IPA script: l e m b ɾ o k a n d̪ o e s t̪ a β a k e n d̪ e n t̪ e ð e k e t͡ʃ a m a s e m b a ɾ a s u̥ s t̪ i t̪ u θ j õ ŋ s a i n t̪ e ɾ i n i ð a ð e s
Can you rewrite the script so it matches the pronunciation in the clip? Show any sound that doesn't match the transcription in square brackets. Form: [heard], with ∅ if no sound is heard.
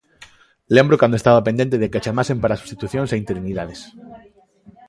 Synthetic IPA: l e m b ɾ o k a n d̪ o e s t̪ a β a [p] e n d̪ e n t̪ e ð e k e t͡ʃ a m a s e m [p] a ɾ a s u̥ s t̪ i t̪ u θ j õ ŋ s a i n t̪ e ɾ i n i ð a ð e s

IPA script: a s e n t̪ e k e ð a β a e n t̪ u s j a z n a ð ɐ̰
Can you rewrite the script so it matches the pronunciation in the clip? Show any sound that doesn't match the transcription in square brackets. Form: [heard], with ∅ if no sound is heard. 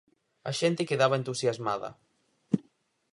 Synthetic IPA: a [ʃ] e n t̪ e k e ð a β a e n t̪ u s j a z [m] a ð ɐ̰

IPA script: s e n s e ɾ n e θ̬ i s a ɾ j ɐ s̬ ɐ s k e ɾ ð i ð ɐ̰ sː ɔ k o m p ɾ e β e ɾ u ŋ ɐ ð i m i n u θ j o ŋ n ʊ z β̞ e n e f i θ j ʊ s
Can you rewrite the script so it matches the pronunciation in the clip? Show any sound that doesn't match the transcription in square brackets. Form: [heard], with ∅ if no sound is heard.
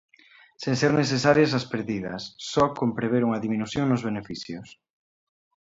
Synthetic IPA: s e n s e ɾ n e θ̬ [e] s a ɾ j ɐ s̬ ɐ s [p] e ɾ ð i ð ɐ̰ sː ɔ k o m p ɾ e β e ɾ u ŋ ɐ ð i m i n u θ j o ŋ n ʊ z β̞ e n e f i θ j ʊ s

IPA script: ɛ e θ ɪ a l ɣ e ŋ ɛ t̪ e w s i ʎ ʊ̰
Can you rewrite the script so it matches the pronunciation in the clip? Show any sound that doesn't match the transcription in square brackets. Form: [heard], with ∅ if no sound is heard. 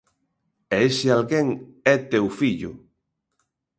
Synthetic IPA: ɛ e [s] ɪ a l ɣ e ŋ ɛ t̪ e w [f] i ʎ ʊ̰

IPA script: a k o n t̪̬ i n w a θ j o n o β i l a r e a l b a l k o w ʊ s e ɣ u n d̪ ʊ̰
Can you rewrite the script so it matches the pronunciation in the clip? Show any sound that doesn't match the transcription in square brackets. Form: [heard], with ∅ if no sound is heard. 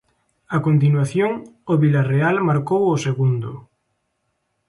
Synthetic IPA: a k o n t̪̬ i n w a θ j o [ŋ] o β i l a r e a l [m] a [ɾ] k o w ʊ s e ɣ u n d̪ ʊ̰

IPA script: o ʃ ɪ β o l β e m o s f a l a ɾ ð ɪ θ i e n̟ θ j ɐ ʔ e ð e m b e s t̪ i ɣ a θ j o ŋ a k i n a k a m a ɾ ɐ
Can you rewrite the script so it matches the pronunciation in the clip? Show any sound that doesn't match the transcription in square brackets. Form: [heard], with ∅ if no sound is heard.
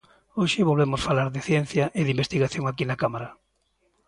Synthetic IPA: o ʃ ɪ β o l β e m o s f a l a ɾ ð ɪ θ [j] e n̟ θ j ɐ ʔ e ð [i] m b e s t̪ i ɣ a θ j o ŋ a k i n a k a m a ɾ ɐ

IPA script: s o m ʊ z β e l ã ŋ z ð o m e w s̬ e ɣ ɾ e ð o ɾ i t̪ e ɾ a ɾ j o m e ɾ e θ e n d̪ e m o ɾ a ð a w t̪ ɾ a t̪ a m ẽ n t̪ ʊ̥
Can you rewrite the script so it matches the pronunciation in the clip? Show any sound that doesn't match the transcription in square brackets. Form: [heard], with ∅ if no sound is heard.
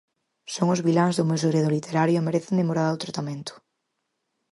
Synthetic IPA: s o [ŋ] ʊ z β [i] l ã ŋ z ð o m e w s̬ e ɣ ɾ e ð o [l] i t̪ e ɾ a ɾ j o m e ɾ e θ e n d̪ e m o ɾ a ð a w t̪ ɾ a t̪ a m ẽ n t̪ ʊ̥

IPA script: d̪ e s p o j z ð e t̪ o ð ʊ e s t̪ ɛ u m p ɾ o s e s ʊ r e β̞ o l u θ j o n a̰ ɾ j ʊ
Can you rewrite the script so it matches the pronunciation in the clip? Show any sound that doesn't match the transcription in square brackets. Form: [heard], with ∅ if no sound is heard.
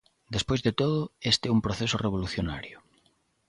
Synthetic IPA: d̪ e s p o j z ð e t̪ o ð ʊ e s t̪ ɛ u m p ɾ o [θ] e s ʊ r e β̞ o l u θ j o n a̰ ɾ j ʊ

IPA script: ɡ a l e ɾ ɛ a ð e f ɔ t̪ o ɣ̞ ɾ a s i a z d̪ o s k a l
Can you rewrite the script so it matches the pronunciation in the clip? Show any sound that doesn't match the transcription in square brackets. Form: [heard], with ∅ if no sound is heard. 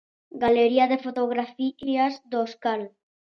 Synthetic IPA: ɡ a l e ɾ [i] a ð e f [o] t̪ o ɣ̞ ɾ a [f] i a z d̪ o s k a l

